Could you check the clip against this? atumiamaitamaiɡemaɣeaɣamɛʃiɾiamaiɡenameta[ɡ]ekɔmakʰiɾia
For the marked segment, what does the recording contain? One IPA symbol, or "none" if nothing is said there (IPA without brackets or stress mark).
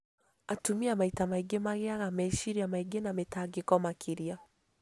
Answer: ɡ